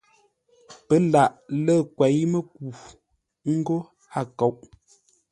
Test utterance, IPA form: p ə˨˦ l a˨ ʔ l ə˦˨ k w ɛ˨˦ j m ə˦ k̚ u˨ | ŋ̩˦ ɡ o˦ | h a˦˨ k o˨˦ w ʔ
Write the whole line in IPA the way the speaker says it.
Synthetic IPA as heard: p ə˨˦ l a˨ ʔ l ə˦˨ k w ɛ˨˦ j m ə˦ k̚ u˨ | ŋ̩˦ ɡ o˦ | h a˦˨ k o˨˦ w ʔ